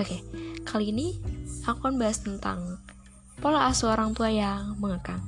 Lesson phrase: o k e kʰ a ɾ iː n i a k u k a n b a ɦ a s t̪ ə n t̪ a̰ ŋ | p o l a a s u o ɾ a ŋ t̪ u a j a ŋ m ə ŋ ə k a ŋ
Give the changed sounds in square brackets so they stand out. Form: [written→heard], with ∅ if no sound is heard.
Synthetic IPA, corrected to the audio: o k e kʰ a [ɾ→l] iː n i a k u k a n b a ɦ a s t̪ ə n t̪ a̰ ŋ | p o l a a s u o ɾ a ŋ t̪ u a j a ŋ m ə ŋ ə k a ŋ